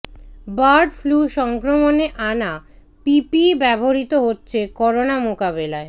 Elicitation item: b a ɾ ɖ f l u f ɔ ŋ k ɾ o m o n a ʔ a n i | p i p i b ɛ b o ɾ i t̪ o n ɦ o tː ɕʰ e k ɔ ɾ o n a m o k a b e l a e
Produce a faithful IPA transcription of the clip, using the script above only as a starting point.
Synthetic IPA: b a ɾ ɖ f l u ʃ ɔ ŋ k ɾ o m o n e ʔ a n a | p i p i b ɛ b o ɾ i t̪ o ɦ o tː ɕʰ e k ɔ ɾ o n a m o k a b e l a e